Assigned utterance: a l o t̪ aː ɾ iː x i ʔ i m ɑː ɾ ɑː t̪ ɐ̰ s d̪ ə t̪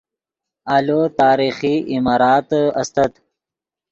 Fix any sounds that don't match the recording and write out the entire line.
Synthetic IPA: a l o t̪ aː ɾ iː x i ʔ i m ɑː ɾ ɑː t̪ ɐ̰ s t̪ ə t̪